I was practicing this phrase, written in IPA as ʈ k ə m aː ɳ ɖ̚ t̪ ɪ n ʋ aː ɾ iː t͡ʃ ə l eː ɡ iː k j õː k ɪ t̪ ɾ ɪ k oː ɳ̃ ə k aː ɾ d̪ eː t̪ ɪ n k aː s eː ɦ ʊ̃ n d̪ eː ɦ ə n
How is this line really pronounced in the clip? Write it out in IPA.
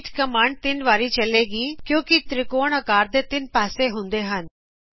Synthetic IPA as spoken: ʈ k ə m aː ɳ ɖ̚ t̪ ɪ n ʋ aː ɾ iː t͡ʃ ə l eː ɡ iː k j õː k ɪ t̪ ɾ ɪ k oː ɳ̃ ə k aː ɾ d̪ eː t̪ ɪ n p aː s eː ɦ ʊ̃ n d̪ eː ɦ ə n